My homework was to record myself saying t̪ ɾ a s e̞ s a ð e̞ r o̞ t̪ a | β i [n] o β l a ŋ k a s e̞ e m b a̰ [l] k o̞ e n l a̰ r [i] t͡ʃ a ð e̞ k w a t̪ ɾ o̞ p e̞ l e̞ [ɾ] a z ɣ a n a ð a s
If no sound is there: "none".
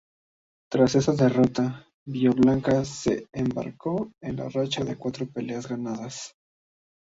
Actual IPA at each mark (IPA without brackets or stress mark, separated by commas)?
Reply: none, ɾ, a, none